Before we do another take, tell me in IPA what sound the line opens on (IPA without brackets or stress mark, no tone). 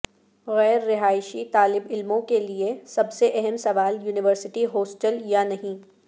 ɣ